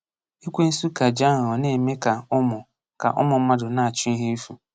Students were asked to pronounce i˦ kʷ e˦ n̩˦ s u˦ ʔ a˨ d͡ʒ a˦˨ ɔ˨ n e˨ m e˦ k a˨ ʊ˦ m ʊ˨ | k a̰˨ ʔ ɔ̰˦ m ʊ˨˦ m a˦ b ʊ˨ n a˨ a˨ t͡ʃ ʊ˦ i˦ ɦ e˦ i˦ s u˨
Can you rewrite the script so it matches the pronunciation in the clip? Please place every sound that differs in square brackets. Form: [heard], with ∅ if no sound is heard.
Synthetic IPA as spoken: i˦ kʷ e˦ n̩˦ s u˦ [k] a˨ d͡ʒ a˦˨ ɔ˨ n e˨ m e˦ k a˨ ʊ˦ m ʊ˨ | k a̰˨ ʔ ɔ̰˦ m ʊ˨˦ m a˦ [d] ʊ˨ n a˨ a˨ t͡ʃ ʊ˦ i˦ ɦ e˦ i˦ [f] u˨